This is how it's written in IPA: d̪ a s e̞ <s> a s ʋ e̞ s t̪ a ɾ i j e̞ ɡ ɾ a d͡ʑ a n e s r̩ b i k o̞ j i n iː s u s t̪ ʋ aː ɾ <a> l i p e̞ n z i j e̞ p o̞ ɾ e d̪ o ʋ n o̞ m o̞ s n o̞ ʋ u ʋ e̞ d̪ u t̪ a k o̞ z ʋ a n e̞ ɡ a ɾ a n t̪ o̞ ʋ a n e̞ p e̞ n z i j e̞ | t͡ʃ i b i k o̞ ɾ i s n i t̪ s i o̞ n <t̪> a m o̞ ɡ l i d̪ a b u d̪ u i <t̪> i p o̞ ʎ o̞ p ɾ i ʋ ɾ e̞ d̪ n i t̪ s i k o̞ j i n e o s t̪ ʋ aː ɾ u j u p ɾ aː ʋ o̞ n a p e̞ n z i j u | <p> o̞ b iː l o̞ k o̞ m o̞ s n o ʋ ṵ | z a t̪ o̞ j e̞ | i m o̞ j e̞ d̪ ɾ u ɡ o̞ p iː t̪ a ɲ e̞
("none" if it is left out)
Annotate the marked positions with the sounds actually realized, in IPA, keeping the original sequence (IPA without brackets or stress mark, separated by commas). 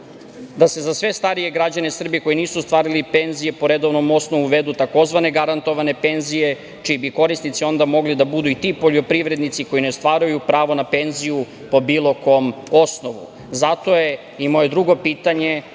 z, i, d̪, t̪, p